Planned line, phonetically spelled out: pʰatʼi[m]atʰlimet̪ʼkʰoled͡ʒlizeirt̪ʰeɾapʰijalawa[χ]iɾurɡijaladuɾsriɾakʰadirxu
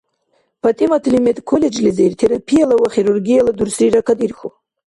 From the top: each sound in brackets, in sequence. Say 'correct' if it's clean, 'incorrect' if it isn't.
correct, correct

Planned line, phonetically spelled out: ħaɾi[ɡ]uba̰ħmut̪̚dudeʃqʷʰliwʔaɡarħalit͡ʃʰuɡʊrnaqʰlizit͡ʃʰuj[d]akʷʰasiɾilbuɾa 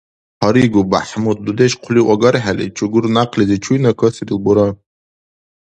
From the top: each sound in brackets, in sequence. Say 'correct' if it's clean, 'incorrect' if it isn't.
correct, incorrect: n

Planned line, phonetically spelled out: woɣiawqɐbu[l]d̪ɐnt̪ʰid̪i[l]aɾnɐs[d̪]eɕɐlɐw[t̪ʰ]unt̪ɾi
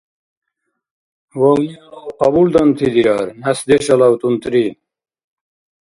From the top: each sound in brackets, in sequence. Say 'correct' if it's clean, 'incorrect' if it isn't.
correct, incorrect: ɾ, correct, incorrect: t̪

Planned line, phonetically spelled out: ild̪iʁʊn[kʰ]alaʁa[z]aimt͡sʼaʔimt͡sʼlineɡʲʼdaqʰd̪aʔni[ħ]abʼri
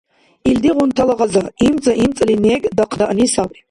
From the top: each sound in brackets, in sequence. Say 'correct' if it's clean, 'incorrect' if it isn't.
incorrect: tʰ, correct, incorrect: s

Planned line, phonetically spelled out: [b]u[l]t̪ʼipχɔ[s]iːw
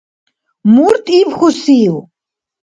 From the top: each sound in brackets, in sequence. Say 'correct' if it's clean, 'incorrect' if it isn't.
incorrect: m, incorrect: ɾ, correct

